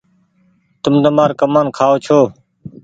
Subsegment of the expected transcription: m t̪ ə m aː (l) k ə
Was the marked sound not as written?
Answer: yes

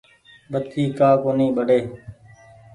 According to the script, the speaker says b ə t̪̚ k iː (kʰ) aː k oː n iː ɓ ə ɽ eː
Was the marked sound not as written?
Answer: yes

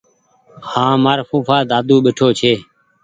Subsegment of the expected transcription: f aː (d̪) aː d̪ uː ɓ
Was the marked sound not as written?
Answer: no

